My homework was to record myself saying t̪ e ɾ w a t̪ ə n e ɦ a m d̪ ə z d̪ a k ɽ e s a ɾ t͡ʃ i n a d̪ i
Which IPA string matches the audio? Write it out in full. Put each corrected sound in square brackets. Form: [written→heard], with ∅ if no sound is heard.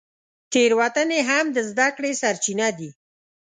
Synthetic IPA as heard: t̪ e ɾ w a t̪ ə n e ɦ a m d̪ ə z d̪ a k ɽ e s a ɾ t͡ʃ i n a d̪ i